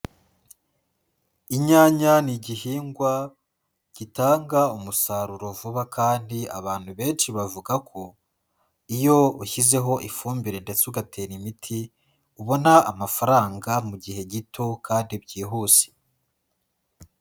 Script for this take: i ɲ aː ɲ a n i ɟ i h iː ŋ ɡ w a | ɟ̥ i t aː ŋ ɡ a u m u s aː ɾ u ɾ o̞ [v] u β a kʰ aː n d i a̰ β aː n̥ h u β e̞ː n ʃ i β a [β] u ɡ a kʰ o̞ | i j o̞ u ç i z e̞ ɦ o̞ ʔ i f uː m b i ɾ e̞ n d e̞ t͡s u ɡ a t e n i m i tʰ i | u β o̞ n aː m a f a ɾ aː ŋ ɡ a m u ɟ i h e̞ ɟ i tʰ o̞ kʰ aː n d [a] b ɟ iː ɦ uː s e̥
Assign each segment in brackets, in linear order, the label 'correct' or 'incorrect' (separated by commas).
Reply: correct, incorrect, incorrect